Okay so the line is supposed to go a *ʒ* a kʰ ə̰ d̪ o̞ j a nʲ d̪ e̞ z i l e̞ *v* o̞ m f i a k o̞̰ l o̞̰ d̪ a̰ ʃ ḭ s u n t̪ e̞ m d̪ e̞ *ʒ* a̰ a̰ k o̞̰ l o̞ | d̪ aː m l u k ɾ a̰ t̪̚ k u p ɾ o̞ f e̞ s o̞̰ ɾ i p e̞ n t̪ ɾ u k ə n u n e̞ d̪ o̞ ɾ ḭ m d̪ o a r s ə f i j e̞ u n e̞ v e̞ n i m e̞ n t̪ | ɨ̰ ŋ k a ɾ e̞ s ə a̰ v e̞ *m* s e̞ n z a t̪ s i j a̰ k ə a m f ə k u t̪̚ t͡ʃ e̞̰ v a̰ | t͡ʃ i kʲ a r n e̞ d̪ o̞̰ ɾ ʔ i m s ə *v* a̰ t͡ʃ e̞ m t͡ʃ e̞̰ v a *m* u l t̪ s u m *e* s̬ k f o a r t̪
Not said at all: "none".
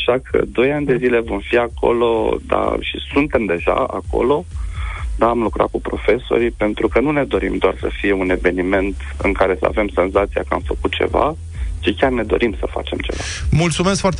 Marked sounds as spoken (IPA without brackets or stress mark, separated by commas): ʃ, v, ʒ, m, f, m, e